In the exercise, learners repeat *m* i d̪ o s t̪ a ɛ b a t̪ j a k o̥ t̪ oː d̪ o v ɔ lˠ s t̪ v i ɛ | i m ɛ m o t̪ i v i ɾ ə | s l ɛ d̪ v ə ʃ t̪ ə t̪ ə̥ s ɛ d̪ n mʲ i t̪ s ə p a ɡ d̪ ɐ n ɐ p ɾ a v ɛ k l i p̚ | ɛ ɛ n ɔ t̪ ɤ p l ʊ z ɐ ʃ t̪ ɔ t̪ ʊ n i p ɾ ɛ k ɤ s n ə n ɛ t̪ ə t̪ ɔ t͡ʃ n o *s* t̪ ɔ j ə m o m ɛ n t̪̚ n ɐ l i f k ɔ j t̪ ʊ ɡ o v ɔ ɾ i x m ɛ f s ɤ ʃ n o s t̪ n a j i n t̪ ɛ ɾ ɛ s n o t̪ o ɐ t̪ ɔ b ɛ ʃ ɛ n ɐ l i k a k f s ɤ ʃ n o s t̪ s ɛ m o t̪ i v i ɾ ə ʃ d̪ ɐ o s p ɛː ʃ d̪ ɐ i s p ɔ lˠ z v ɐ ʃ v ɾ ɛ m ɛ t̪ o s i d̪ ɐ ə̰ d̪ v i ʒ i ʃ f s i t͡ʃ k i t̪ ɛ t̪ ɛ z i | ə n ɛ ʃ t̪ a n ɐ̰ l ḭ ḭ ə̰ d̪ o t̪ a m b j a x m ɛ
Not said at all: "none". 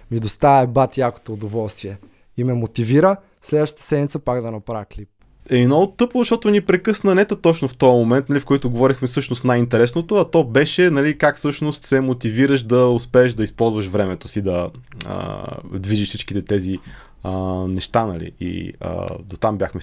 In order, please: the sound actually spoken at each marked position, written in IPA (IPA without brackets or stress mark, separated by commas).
m, f